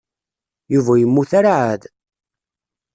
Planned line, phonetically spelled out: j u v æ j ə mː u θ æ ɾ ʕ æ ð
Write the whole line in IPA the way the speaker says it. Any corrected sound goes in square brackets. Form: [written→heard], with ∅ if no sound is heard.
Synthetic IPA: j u v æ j ə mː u θ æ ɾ ʕ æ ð